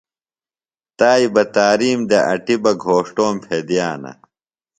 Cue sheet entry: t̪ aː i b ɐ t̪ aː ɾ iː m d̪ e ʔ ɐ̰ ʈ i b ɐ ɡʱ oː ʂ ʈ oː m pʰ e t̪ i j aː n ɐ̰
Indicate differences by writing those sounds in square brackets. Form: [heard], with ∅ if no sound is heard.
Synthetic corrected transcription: t̪ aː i b ɐ t̪ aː ɾ iː m d̪ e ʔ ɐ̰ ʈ i b ɐ ɡʱ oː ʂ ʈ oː m pʰ e [d̪] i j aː n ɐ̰

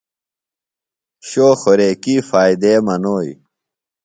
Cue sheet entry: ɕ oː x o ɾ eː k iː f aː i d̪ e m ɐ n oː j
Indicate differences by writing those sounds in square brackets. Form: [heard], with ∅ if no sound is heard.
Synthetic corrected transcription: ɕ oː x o ɾ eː k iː f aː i d̪ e m ɐ n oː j

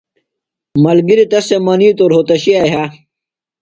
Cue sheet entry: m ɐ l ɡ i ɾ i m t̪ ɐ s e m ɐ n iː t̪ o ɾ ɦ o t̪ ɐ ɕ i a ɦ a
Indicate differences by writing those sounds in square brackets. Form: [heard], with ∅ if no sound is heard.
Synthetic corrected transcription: m ɐ l ɡ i ɾ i [∅] t̪ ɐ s e m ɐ n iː t̪ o ɾ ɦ o t̪ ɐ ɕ i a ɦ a

